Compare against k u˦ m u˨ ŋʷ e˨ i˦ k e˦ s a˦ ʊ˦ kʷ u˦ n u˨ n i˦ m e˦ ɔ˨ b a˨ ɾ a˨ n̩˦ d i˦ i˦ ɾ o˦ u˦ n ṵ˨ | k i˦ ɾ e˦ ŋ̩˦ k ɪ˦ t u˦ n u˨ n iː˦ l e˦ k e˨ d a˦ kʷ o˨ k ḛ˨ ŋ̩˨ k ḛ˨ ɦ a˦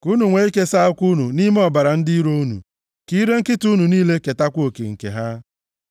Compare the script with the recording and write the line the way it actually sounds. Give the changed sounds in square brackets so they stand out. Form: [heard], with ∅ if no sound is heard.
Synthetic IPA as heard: k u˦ [n] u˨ ŋʷ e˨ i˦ k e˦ s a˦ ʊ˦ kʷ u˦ n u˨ n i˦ m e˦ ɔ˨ b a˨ ɾ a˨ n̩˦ d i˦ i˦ ɾ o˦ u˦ n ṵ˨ | k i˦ ɾ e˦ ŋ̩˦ k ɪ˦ t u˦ n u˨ n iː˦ l e˦ k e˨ [t] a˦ kʷ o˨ k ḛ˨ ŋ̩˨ k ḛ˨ ɦ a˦